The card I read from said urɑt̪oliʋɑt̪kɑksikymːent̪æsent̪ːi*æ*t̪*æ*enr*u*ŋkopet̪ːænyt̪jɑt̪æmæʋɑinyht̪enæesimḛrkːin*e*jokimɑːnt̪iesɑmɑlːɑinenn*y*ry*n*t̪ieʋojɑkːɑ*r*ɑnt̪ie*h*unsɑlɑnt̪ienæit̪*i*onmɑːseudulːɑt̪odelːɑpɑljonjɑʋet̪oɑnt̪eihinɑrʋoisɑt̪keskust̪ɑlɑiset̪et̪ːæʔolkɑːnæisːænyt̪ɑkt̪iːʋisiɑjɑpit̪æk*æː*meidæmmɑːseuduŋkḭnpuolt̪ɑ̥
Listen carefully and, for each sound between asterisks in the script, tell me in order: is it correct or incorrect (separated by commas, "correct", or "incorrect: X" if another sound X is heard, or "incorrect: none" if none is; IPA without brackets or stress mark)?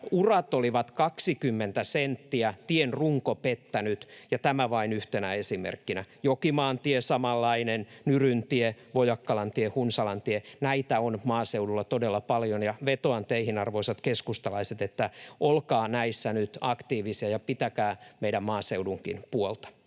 correct, incorrect: i, correct, incorrect: æ, correct, correct, incorrect: l, correct, incorrect: æ, correct